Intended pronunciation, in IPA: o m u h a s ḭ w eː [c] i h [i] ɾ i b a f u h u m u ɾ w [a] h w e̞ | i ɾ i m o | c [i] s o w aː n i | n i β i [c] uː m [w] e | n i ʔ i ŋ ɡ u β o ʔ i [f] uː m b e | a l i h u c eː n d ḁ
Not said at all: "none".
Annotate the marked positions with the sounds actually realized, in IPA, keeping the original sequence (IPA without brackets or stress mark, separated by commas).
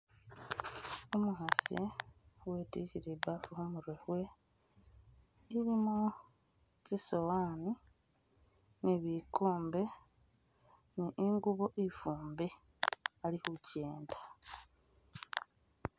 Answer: t, i, e, i, k, b, f